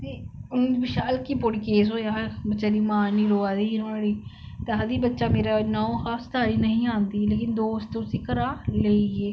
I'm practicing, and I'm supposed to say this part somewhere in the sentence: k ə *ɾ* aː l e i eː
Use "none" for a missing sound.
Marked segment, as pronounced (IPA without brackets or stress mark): ɾ